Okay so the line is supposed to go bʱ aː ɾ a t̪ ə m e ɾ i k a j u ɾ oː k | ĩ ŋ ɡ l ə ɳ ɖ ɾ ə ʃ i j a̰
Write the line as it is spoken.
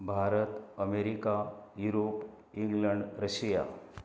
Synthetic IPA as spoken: bʱ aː ɾ ə t̪ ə m e ɾ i k a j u ɾ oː p | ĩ ŋ ɡ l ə ɳ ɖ ɾ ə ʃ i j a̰